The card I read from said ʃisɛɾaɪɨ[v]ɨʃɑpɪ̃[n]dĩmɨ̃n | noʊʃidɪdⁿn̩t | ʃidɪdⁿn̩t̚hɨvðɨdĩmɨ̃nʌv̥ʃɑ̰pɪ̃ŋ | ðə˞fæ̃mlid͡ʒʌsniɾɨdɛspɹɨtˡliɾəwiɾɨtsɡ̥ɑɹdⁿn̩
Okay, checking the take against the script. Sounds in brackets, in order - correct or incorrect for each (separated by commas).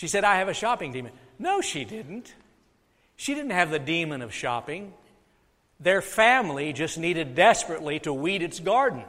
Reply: correct, incorrect